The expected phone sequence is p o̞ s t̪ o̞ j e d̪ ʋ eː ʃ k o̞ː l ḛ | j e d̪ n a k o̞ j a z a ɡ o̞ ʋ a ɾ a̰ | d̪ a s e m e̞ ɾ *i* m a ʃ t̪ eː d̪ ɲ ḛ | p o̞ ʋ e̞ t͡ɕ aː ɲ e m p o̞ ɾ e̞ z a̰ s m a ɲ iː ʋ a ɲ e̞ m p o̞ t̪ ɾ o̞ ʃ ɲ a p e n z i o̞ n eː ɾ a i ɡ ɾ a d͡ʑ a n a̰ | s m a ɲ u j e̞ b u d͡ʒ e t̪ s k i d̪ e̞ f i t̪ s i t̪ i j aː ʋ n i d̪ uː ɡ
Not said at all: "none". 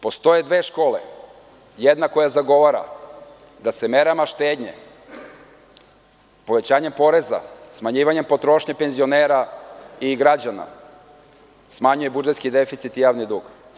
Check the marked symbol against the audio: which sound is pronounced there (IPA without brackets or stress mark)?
a